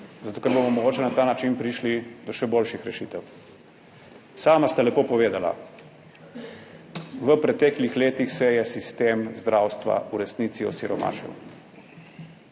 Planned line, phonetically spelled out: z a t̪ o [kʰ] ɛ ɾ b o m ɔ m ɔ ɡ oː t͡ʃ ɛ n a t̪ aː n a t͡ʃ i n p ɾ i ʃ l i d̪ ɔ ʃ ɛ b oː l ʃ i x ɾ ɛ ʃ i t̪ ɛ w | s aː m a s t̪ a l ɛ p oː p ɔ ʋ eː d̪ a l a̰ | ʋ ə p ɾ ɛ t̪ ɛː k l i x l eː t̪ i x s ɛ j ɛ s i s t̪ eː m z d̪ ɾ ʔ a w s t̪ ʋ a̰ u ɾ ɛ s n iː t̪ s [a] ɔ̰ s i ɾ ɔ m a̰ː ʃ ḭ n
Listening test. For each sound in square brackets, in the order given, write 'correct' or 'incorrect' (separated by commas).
incorrect, incorrect